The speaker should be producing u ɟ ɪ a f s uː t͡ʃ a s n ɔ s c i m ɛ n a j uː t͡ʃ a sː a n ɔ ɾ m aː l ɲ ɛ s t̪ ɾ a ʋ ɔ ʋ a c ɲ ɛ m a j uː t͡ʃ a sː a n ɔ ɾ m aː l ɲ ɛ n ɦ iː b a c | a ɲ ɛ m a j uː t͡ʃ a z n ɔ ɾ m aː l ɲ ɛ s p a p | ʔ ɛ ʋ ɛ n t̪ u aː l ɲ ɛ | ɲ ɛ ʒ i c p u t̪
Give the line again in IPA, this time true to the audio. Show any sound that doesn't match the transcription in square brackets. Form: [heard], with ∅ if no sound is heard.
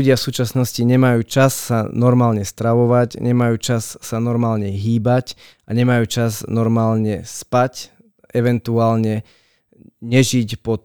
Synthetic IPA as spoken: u ɟ ɪ a f s uː t͡ʃ a s n ɔ s c i [ɲ] ɛ [m] a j uː t͡ʃ a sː a n ɔ ɾ m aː l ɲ ɛ s t̪ ɾ a ʋ ɔ ʋ a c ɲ ɛ m a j uː t͡ʃ a sː a n ɔ ɾ m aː l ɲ ɛ [∅] ɦ iː b a c | a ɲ ɛ m a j uː t͡ʃ a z n ɔ ɾ m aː l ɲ ɛ s p a [c] | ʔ ɛ ʋ ɛ n t̪ u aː l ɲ ɛ | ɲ ɛ ʒ i c p [ɔ] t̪